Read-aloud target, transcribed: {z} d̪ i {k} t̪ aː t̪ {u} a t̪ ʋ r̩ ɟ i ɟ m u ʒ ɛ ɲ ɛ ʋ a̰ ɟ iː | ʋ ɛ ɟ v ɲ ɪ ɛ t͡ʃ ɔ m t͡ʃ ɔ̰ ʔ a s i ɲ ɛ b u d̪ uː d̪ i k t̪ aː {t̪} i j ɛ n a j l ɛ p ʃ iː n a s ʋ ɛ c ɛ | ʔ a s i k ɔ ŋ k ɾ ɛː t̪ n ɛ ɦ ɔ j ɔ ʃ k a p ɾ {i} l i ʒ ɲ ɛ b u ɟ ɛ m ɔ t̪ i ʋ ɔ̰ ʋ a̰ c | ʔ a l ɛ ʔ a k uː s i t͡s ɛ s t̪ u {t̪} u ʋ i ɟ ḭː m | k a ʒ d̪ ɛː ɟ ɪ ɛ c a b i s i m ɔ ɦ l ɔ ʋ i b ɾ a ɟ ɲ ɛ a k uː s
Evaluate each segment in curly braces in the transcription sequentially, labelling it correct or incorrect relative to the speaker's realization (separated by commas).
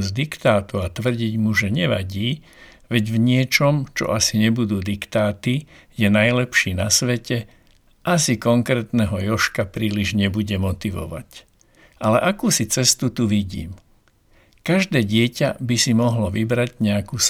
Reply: correct, correct, correct, correct, incorrect, correct